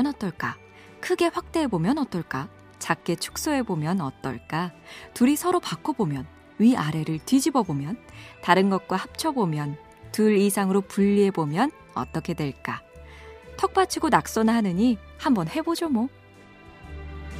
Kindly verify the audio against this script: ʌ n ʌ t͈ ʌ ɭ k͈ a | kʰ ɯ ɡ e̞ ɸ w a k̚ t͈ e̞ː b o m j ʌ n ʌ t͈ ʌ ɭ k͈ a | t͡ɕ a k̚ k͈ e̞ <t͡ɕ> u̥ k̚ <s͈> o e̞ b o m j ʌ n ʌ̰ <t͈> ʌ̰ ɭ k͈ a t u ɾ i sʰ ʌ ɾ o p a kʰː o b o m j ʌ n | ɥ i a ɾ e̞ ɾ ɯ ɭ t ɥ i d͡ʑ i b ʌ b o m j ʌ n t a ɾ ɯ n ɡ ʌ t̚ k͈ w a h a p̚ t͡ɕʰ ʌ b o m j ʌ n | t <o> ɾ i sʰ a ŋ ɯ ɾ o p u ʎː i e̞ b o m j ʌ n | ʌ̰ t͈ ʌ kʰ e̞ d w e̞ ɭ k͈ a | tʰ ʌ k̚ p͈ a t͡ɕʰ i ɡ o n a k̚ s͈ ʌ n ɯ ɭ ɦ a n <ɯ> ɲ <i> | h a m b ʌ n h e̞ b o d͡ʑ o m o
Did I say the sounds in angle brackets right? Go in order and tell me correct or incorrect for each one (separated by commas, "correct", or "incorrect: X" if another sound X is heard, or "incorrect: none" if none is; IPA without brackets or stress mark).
incorrect: t͡ɕʰ, correct, correct, incorrect: u, correct, correct